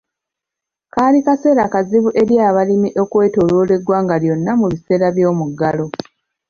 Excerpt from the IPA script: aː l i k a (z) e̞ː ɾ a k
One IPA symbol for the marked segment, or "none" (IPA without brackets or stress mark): s